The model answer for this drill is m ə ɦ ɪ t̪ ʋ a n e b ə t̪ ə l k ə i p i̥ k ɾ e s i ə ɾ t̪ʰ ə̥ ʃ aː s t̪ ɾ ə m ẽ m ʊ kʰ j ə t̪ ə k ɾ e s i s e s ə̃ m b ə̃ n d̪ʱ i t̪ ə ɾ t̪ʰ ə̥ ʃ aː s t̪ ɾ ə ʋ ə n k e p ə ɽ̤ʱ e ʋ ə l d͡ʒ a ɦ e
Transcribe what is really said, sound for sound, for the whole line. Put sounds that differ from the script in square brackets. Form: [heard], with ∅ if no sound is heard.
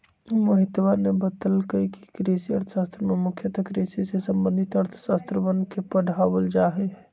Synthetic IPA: m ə ɦ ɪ t̪ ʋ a n e b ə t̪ ə l k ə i [k] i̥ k ɾ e s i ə ɾ t̪ʰ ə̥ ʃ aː s t̪ ɾ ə m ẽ m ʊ kʰ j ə t̪ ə k ɾ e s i s e s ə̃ m b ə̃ n d̪ʱ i t̪ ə ɾ t̪ʰ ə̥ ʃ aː s t̪ ɾ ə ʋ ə n k e p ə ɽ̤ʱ [a] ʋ ə l d͡ʒ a ɦ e